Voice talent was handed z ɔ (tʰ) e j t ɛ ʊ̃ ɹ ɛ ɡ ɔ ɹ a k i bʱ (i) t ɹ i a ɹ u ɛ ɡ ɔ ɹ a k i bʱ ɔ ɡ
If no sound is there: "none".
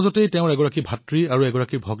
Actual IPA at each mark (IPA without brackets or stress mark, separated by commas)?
t, a